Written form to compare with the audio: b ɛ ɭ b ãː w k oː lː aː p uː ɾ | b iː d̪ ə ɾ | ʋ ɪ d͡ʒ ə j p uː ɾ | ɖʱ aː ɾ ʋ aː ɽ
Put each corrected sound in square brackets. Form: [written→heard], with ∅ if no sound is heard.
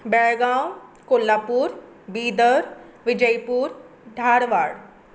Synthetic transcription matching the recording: b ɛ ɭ [b→ɡ] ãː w k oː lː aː p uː ɾ | b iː d̪ ə ɾ | ʋ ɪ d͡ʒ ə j p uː ɾ | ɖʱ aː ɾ ʋ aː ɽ